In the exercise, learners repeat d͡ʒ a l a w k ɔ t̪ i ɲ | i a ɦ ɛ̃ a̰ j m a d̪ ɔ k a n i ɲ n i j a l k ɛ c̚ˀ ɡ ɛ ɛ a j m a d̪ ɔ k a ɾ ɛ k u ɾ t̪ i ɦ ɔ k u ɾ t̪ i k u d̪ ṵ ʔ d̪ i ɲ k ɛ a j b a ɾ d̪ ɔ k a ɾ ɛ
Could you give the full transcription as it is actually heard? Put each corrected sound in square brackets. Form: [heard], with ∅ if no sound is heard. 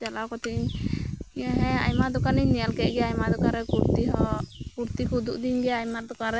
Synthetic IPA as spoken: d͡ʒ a l a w k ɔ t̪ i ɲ | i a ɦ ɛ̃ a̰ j m a d̪ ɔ k a n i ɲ n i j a l k ɛ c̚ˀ ɡ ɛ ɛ a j m a d̪ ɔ k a ɾ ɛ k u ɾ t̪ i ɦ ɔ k u ɾ t̪ i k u d̪ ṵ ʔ d̪ i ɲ [ɡ] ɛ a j [m] a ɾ d̪ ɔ k a ɾ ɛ